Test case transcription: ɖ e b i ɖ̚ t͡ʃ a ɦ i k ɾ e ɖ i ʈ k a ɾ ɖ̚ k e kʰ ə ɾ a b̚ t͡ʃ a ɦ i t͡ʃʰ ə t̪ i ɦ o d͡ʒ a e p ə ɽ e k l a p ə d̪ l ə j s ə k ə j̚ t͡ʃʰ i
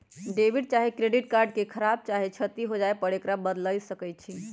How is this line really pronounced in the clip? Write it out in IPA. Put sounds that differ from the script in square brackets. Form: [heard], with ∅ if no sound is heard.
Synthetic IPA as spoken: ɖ e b i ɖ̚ t͡ʃ a ɦ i k ɾ e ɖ i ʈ k a ɾ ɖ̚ k e kʰ ə ɾ a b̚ t͡ʃ a ɦ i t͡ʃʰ ə t̪ i ɦ o d͡ʒ a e p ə ɽ e k [ɾ] a [b] ə d̪ l ə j s ə k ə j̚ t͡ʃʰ i